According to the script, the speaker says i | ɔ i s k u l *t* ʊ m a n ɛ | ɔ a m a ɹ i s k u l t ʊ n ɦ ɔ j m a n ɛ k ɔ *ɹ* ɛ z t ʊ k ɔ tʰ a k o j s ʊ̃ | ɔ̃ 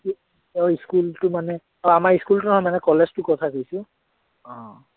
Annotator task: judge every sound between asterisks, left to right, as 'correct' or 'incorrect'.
correct, incorrect: l

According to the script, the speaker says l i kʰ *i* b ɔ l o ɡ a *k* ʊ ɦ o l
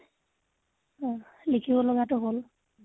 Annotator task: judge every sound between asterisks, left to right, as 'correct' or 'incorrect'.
correct, incorrect: t

